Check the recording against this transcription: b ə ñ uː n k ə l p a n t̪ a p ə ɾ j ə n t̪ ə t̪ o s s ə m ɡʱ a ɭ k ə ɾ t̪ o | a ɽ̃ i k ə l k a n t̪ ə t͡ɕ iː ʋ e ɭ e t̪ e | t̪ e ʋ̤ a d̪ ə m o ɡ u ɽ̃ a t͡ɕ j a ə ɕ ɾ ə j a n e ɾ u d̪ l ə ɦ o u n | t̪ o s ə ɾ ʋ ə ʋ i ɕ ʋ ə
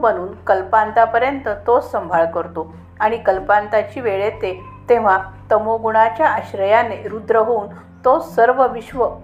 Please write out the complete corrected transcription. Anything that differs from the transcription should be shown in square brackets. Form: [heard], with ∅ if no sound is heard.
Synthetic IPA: b ə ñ uː n k ə l p a n t̪ a p ə ɾ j ə n t̪ ə t̪ o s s ə m [bʱ] a ɭ k ə ɾ t̪ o | a ɽ̃ i k ə l [p] a n t̪ [a] t͡ɕ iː ʋ e ɭ e t̪ e | t̪ e ʋ̤ a [t̪] ə m o ɡ u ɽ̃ a t͡ɕ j a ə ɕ ɾ ə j a n e ɾ u d̪ [ɾ] ə ɦ o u n | t̪ o s ə ɾ ʋ ə ʋ i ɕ ʋ ə